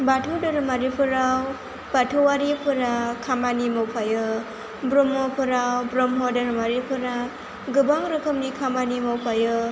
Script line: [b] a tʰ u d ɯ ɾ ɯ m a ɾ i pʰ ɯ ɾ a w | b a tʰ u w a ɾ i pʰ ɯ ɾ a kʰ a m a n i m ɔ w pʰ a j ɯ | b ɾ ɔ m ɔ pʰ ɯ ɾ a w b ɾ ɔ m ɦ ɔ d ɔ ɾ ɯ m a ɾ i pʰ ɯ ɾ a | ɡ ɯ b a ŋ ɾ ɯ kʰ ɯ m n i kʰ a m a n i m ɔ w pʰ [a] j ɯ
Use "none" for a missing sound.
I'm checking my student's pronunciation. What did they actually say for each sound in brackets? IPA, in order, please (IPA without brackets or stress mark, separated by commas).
b, a